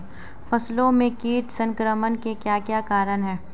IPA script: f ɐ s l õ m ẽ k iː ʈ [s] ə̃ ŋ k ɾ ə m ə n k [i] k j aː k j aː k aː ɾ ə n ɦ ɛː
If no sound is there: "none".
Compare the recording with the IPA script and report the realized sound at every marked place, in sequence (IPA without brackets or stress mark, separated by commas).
s, e